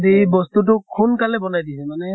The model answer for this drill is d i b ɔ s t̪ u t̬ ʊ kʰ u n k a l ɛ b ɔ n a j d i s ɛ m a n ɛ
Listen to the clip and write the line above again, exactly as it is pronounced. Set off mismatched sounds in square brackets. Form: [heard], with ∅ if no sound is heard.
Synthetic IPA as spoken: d i b ɔ s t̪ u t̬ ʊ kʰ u n k a l ɛ b ɔ n a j d i s ɛ m a n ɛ